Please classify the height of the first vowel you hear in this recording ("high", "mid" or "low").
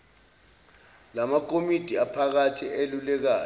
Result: low